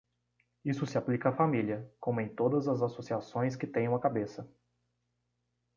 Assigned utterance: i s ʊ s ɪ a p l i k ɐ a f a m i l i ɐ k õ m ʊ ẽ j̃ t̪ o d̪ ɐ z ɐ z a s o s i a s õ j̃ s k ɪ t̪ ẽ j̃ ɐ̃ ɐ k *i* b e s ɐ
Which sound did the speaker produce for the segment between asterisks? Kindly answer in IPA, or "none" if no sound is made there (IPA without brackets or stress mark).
a